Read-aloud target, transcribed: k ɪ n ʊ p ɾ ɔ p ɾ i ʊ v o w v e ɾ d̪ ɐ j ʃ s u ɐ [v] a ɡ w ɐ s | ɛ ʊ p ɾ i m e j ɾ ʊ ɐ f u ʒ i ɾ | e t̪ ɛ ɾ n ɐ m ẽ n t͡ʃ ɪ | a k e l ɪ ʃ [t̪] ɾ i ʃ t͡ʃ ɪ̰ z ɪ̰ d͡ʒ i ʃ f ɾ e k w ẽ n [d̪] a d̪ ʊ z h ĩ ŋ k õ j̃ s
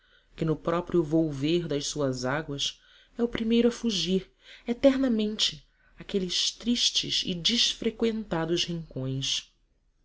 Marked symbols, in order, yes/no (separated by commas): no, yes, no